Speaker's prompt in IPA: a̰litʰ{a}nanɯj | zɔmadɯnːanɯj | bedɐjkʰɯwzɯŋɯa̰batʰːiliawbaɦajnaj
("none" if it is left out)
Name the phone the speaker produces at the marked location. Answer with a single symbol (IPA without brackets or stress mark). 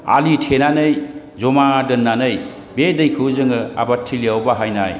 e